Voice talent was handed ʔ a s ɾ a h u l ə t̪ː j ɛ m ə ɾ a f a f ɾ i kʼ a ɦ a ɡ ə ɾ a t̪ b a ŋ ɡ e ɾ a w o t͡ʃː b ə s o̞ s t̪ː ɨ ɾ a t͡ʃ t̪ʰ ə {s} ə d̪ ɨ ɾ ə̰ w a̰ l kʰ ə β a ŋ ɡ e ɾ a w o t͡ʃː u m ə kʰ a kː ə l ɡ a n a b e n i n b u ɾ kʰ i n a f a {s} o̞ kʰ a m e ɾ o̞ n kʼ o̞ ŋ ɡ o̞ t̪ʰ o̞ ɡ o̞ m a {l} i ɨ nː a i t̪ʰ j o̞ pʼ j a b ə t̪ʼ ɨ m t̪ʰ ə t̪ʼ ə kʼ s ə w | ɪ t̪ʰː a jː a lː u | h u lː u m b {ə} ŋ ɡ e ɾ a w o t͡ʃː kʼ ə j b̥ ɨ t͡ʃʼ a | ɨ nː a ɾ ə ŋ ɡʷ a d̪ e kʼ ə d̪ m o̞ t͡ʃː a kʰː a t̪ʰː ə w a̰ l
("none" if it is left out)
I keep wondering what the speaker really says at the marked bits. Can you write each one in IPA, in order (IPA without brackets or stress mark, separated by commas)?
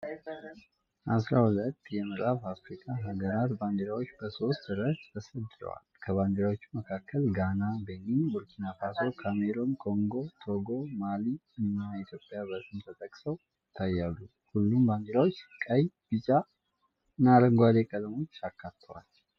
s, s, l, a